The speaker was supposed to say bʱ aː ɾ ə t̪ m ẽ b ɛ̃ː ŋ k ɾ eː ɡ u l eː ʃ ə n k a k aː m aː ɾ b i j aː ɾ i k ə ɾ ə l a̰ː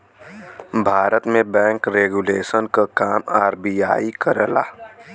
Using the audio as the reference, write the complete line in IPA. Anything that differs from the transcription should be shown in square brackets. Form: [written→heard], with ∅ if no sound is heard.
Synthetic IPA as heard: bʱ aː ɾ ə t̪ m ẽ b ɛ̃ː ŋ k ɾ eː ɡ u l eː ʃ ə n k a k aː m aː ɾ b i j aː [ɾ→∅] i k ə ɾ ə l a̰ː

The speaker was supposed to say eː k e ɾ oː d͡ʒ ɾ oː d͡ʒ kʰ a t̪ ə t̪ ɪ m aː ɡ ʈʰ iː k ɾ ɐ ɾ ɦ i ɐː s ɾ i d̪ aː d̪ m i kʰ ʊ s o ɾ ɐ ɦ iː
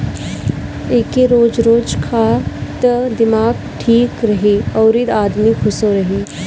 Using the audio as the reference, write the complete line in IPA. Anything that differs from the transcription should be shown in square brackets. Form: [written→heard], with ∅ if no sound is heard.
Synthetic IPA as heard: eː k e ɾ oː d͡ʒ ɾ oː d͡ʒ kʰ a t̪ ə [t̪→d̪] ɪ m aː ɡ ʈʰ iː k ɾ ɐ [ɾ→∅] ɦ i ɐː [s→∅] ɾ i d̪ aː d̪ m i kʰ ʊ s o ɾ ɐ ɦ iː

